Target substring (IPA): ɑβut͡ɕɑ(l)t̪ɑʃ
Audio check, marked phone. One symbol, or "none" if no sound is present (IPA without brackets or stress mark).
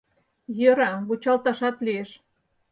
l